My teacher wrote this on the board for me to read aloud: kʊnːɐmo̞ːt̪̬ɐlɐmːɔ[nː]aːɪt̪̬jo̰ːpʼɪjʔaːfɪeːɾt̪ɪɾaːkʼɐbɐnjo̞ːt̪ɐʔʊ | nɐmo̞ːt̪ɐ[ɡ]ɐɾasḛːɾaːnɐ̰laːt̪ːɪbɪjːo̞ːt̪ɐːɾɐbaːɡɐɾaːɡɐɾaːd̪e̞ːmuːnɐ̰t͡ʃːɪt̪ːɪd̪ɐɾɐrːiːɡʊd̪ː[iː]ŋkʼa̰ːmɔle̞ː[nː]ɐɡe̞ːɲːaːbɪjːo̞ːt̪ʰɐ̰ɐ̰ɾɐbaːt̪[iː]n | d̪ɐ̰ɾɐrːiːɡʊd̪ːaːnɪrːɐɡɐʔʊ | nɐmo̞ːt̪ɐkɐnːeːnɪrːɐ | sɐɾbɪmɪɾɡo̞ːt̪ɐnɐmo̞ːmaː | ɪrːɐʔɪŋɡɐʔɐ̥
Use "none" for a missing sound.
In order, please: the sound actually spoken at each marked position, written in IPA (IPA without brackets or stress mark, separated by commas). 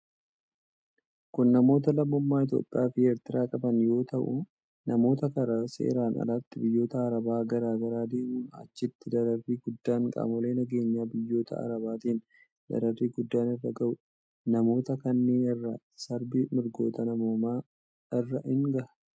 mː, k, aː, n, iː